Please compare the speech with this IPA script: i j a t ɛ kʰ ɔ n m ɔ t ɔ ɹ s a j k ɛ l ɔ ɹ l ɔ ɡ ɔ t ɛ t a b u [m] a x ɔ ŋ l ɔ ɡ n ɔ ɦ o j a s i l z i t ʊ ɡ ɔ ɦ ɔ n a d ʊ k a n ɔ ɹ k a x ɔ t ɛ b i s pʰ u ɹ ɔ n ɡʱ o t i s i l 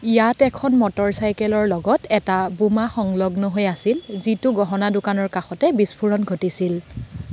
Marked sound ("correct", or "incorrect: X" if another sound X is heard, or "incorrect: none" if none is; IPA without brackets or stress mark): correct